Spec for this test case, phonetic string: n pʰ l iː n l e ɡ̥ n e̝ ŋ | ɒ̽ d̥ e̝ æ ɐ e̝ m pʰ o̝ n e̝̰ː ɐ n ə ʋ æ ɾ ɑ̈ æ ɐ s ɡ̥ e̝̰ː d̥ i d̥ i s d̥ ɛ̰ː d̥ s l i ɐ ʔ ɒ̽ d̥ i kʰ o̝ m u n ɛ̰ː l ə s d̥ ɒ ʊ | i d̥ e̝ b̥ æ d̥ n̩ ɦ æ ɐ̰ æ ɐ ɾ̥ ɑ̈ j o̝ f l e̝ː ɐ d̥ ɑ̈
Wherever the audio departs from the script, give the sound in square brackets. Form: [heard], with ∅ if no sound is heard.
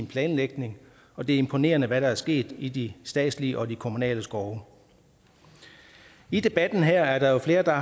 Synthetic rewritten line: n pʰ l [ɛː] n l e ɡ̥ n e̝ ŋ | ɒ̽ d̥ e̝ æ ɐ e̝ m pʰ o̝ n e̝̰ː ɐ n ə ʋ æ ɾ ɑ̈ æ ɐ s ɡ̥ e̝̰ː d̥ i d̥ i s d̥ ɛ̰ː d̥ s l i [ə] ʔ ɒ̽ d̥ i kʰ o̝ m u n ɛ̰ː l ə s [ɡ̥] ɒ ʊ | i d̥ e̝ b̥ æ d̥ n̩ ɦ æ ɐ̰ æ ɐ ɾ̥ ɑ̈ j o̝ f l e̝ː ɐ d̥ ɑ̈